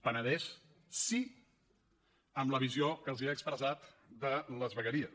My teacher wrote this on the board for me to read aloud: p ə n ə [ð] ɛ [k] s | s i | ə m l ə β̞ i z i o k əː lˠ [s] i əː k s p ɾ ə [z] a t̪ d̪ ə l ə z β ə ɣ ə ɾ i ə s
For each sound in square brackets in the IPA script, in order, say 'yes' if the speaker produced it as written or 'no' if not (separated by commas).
yes, no, no, yes